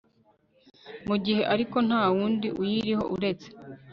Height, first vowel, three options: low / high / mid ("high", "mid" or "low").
high